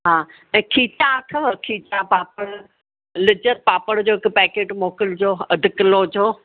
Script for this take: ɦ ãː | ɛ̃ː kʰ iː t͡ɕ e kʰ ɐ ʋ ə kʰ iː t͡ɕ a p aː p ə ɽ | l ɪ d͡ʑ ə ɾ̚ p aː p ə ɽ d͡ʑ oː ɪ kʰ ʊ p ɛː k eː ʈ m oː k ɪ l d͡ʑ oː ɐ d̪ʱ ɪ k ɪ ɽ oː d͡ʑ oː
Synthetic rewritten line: ɦ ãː | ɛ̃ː kʰ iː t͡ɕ a kʰ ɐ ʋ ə kʰ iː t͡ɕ a p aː p ə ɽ | l ɪ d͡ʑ ə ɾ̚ p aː p ə ɽ d͡ʑ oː ɪ k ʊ p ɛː k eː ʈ m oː k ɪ l d͡ʑ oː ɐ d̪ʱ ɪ k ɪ l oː d͡ʑ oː